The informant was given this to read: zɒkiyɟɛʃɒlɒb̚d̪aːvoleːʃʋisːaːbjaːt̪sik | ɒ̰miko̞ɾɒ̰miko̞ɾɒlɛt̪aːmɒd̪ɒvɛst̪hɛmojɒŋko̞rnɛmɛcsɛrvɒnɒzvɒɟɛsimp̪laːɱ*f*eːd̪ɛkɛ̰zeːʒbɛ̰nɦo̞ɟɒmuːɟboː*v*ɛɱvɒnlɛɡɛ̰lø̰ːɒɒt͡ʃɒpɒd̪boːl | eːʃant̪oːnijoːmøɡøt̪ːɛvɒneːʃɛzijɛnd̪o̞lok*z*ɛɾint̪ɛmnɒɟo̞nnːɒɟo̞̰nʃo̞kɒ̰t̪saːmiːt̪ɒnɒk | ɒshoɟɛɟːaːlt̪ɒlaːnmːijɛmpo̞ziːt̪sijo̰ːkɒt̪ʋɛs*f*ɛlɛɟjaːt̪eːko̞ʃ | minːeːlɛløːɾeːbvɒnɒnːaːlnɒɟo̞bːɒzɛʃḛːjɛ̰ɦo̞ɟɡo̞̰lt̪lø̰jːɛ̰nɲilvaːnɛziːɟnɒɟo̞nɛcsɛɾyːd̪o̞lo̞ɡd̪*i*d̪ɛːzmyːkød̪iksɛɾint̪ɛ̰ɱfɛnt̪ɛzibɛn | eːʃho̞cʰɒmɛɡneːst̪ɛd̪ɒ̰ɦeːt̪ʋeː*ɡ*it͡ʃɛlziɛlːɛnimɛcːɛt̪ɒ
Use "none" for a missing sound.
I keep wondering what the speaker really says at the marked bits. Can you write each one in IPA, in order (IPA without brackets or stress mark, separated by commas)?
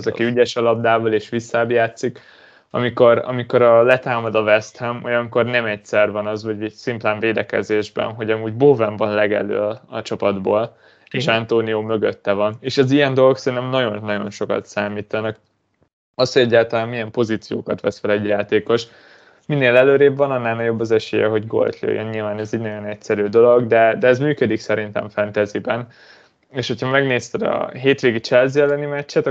v, v, s, f, ɛ, ɡ